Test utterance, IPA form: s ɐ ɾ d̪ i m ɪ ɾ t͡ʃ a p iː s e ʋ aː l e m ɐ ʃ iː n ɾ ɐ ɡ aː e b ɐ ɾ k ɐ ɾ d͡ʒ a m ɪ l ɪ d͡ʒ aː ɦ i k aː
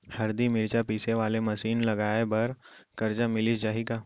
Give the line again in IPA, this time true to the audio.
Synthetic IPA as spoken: h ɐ ɾ d̪ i m ɪ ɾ t͡ʃ a p iː s e ʋ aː l e m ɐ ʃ iː n l ɐ ɡ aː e b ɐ ɾ k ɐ ɾ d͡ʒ a m ɪ l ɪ d͡ʒ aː ɦ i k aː